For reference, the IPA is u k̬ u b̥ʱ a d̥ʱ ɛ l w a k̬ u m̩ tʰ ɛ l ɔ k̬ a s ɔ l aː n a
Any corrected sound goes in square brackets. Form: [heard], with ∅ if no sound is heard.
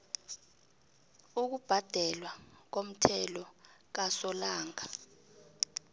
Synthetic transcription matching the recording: u k̬ u b̥ʱ a d̥ʱ ɛ l w a k̬ [o] m̩ tʰ ɛ l ɔ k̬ a s ɔ l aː [ŋ] a

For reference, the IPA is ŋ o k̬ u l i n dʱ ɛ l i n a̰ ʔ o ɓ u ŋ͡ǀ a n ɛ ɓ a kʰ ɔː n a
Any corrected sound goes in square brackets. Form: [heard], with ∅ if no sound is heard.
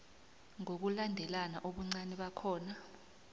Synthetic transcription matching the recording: ŋ o k̬ u l [a] n dʱ ɛ l [a] n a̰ ʔ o ɓ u ŋ͡ǀ a n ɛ ɓ a kʰ ɔː n a

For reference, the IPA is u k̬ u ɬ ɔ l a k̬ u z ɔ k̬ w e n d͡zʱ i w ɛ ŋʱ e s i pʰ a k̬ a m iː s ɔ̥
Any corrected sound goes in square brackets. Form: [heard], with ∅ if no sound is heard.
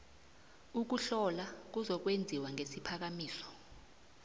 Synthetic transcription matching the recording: u k̬ u ɬ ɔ l a k̬ u z ɔ k̬ w e n d͡zʱ i w [a] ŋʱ e s i pʰ a k̬ a m iː s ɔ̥

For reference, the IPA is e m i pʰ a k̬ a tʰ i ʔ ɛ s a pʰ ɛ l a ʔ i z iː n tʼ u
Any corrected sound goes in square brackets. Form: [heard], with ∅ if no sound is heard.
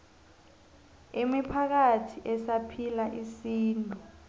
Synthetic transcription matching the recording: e m i pʰ a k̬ a tʰ i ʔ ɛ s a pʰ [i] l a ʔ i [s] iː n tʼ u

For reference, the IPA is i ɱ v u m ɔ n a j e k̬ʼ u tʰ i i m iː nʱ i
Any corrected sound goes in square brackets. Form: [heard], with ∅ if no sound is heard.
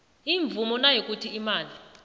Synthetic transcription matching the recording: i ɱ v u m ɔ n a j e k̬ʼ u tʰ i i m [aː] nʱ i

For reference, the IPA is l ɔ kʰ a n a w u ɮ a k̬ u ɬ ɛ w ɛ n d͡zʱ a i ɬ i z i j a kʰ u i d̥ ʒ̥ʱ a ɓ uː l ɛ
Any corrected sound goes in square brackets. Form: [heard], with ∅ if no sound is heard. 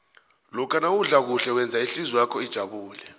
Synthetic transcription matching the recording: l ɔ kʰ a n a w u ɮ a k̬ u ɬ ɛ w ɛ n d͡zʱ a i ɬ i z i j a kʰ [ɔ] i d̥ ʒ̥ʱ a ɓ uː l ɛ

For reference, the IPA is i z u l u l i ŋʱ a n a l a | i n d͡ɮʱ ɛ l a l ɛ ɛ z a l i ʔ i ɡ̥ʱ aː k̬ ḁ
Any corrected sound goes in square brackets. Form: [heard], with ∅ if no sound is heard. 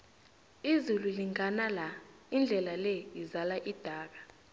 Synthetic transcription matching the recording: i z u l u l i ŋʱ a n a l a | i n d͡ɮʱ ɛ l a l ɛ [i] z a l [a] ʔ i [d̥ʱ] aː k̬ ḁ

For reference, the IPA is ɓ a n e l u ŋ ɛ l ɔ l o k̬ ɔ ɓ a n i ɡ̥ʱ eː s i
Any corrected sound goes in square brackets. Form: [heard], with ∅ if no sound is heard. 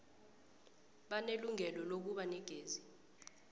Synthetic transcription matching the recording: ɓ a n e l u ŋ ɛ l ɔ l o k̬ [u] ɓ a n [ɛ] ɡ̥ʱ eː [z] i

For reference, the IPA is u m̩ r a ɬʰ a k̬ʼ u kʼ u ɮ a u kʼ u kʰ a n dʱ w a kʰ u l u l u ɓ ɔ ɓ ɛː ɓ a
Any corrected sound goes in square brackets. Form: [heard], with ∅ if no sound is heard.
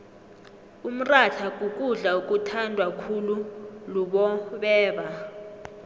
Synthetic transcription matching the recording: u m̩ r a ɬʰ a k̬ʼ u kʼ u ɮ a u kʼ u [tʰ] a n dʱ w a kʰ u l u l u ɓ ɔ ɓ ɛː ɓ a

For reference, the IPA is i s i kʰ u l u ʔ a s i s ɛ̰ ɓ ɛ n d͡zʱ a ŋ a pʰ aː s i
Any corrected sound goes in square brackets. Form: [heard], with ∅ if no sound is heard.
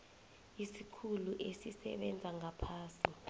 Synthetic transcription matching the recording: i s i kʰ u l u ʔ [e] s i s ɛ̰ ɓ ɛ n d͡zʱ a ŋ a pʰ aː s i

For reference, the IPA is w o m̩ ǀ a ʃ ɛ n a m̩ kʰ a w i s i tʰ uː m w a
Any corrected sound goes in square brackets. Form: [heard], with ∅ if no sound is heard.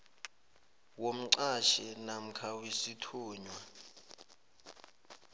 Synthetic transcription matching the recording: w o m̩ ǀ a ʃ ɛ n a m̩ kʰ a w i s i tʰ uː [ɲ] w a

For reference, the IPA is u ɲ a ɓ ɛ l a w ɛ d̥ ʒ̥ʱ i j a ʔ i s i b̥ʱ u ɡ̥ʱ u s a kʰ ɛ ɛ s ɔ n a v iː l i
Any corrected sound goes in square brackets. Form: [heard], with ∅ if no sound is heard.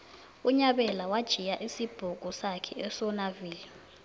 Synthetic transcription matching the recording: u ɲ a ɓ ɛ l a w [a] d̥ ʒ̥ʱ i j a ʔ i s i b̥ʱ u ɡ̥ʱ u s a kʰ ɛ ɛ s ɔ n a v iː l i

